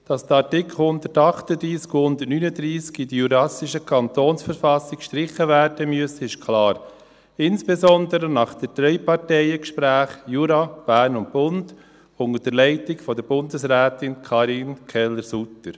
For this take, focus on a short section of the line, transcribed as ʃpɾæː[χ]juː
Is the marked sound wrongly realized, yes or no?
no